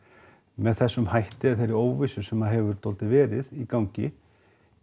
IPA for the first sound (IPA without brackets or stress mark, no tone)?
m